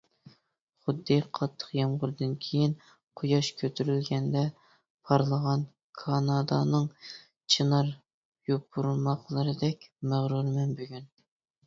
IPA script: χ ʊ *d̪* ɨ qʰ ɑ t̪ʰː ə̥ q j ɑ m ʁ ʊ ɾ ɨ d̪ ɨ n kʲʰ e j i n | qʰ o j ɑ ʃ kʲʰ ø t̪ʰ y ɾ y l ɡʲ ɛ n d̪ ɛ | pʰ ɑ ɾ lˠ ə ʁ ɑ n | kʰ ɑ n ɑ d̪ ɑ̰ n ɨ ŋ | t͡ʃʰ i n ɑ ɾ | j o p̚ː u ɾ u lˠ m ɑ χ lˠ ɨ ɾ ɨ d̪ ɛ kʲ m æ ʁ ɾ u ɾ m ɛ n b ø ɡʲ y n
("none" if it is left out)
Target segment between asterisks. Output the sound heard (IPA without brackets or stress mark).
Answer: d̪ː